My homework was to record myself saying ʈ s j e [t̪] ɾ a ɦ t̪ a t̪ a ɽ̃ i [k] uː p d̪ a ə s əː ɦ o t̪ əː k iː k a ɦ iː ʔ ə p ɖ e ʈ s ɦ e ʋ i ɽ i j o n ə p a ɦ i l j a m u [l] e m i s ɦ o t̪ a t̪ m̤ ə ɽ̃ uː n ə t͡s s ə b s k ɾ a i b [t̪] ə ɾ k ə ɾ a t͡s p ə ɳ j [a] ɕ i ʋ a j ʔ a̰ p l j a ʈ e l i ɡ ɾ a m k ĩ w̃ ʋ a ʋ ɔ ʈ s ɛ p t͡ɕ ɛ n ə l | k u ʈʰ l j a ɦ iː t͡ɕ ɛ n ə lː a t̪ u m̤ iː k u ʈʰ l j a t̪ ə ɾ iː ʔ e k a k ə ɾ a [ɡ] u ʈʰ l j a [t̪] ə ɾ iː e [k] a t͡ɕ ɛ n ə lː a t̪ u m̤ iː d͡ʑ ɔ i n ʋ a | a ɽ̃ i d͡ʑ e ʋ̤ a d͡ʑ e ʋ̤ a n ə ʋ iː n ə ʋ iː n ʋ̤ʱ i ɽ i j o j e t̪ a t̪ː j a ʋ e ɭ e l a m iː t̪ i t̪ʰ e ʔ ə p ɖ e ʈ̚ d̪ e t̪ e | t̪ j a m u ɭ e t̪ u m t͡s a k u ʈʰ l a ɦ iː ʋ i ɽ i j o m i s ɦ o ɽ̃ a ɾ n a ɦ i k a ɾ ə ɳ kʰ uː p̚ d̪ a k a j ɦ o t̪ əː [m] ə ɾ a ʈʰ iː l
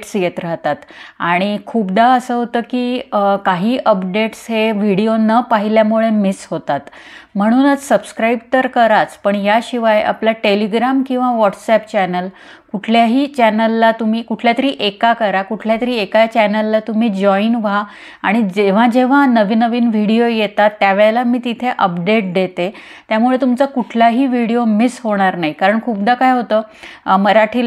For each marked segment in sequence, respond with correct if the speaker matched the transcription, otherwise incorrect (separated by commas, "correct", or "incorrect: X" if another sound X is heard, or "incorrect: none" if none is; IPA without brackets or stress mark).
correct, incorrect: kʰ, incorrect: ɭ, correct, correct, incorrect: k, correct, correct, correct